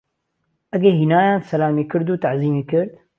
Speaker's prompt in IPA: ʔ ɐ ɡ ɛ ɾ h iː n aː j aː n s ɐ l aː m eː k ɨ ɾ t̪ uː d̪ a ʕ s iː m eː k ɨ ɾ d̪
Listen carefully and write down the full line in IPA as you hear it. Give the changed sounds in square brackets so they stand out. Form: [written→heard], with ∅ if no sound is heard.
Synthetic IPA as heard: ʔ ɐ ɡ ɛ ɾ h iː n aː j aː n s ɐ l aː m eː k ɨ ɾ [t̪→d̪] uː [d̪→t̪] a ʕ [s→z] iː m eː k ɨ ɾ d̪